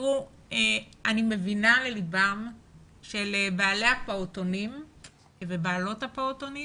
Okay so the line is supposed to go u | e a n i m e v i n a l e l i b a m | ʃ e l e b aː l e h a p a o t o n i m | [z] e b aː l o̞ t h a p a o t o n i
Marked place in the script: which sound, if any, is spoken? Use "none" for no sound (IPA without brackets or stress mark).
v